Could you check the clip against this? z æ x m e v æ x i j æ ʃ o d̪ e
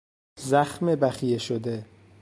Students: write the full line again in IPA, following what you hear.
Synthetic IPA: z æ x m e b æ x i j e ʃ o d̪ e